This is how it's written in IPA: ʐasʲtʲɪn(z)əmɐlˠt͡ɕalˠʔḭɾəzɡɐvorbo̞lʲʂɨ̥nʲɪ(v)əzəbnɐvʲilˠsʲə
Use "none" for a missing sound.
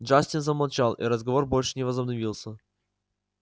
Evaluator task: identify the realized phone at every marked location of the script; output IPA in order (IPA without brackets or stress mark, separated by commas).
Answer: z, v